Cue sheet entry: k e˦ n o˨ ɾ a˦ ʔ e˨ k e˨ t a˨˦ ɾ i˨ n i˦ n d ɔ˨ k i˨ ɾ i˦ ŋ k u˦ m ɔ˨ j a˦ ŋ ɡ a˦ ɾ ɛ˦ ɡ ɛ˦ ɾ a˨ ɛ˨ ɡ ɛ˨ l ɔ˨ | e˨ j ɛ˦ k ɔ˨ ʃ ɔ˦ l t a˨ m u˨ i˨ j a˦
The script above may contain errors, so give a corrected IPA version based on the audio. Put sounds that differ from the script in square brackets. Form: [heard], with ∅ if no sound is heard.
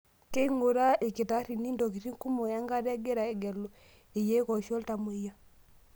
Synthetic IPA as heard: k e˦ [ŋ] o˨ ɾ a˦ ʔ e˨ k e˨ t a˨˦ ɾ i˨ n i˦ n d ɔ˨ k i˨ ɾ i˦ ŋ k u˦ m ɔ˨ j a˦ ŋ ɡ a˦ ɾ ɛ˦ ɡ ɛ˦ ɾ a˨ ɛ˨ ɡ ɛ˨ l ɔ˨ | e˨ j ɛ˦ k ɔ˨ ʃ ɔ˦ l t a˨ m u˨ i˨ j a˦

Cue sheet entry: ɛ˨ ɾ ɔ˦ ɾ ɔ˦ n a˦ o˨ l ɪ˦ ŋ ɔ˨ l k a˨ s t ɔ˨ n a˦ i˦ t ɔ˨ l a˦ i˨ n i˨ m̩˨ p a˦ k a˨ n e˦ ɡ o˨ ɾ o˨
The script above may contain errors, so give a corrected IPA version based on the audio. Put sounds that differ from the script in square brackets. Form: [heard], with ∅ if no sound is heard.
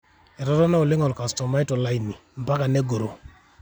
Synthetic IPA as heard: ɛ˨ ɾ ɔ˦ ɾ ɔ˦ n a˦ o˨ l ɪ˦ ŋ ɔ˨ l k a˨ s t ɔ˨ [m] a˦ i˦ t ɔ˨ l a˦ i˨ n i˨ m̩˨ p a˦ k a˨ n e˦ ɡ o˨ ɾ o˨

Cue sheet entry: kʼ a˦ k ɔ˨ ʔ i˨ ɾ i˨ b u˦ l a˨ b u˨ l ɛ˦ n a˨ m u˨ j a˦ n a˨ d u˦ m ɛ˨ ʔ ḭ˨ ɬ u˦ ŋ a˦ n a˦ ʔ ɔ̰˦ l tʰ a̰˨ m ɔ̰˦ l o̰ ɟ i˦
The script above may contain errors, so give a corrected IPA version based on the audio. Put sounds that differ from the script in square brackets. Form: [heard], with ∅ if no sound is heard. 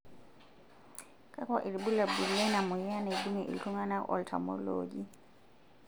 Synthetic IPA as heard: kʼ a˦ k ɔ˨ ʔ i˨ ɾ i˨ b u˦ l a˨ b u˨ l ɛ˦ n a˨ m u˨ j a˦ n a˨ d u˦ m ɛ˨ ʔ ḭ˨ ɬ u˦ ŋ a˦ n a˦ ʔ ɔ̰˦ l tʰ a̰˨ m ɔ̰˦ l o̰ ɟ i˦

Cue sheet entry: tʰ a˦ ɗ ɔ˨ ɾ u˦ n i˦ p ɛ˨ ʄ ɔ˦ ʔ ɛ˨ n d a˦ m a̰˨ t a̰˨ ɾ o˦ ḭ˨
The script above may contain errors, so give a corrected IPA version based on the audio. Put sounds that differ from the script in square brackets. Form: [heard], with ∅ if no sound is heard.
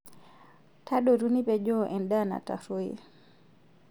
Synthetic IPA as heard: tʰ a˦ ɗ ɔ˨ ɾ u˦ n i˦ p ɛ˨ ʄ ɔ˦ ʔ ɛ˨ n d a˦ [n] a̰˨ t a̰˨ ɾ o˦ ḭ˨

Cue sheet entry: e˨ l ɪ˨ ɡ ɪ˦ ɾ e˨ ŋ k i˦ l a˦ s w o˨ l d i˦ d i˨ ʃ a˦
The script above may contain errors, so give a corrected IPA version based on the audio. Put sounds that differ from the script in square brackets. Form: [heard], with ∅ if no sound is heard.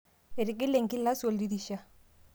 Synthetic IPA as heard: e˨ [ɾ] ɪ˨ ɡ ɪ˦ [l] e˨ ŋ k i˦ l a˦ s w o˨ l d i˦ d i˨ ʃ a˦

